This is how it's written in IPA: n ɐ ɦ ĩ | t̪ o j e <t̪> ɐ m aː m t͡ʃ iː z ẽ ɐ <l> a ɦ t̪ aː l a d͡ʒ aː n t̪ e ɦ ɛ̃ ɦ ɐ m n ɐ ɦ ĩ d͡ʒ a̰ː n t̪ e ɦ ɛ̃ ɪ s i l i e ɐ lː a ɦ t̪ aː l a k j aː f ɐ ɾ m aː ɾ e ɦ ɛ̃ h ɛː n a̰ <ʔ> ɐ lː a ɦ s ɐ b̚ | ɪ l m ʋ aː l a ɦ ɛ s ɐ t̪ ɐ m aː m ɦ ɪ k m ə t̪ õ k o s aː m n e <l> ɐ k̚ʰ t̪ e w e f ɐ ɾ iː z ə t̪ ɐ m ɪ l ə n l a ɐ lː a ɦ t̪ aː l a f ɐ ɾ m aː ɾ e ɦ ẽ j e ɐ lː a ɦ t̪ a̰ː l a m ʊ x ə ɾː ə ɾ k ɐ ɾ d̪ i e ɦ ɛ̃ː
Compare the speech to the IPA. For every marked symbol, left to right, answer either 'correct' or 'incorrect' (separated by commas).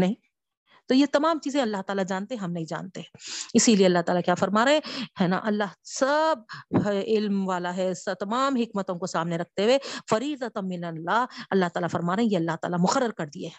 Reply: correct, incorrect, correct, incorrect